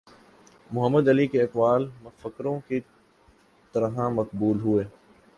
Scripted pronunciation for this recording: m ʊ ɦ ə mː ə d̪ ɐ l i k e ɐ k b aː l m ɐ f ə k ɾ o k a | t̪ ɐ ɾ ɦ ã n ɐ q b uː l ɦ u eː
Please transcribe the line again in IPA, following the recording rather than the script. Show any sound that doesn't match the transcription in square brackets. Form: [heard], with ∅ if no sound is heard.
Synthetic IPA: m ʊ ɦ ə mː ə d̪ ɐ l i k e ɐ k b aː l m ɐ f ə k ɾ [õ] k [i] | t̪ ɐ ɾ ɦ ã [m] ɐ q b uː l ɦ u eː